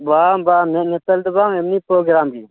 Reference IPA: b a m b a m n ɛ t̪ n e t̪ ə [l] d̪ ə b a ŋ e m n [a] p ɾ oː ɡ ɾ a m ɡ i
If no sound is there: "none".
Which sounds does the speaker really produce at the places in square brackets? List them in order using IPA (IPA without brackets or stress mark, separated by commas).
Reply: l, i